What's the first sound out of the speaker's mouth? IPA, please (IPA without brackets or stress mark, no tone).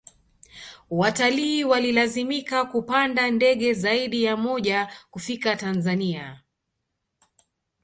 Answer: w